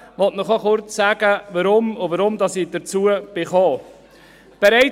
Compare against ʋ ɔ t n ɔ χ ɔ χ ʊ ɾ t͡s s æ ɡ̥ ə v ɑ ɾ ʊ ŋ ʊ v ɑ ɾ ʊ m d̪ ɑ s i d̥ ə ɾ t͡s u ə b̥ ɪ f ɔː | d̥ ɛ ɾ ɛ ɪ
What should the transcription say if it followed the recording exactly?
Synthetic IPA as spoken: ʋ ɔ t n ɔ χ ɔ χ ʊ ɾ t͡s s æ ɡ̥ ə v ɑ ɾ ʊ m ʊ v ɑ ɾ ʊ m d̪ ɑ s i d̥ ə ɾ t͡s u ə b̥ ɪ χ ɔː | b̥ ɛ ɾ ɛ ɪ